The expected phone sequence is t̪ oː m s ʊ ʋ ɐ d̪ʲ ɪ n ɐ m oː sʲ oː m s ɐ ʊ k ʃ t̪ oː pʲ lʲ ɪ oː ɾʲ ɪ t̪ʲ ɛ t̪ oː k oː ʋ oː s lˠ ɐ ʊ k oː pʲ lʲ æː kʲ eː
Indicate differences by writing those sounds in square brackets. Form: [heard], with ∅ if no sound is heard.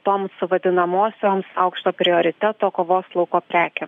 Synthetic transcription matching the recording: t̪ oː m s ʊ ʋ ɐ d̪ʲ ɪ n ɐ m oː sʲ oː m s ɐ ʊ k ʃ t̪ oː pʲ [ɾʲ] ɪ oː ɾʲ ɪ t̪ʲ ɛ t̪ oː k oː ʋ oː s lˠ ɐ ʊ k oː pʲ [ɾʲ] æː kʲ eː